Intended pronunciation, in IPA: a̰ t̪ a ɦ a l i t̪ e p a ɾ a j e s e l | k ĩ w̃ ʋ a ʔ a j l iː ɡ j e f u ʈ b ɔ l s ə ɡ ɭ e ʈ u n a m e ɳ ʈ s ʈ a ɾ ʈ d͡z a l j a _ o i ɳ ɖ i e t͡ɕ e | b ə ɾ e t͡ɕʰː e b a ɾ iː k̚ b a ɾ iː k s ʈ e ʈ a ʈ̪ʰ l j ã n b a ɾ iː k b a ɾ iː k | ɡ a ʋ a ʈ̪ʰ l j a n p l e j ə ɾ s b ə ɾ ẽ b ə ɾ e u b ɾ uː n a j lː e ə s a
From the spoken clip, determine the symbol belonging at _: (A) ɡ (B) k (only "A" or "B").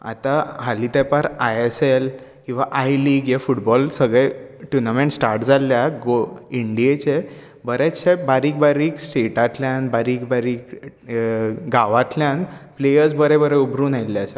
A